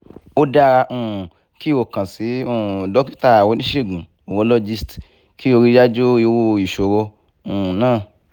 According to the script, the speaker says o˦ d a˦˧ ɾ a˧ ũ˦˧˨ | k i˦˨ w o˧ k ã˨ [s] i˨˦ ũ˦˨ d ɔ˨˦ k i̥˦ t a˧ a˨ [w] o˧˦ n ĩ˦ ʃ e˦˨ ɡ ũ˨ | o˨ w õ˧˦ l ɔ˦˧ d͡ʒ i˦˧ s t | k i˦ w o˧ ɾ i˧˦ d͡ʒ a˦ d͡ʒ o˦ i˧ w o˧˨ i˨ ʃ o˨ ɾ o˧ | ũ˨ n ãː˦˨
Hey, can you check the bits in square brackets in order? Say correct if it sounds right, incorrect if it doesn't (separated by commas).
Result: correct, correct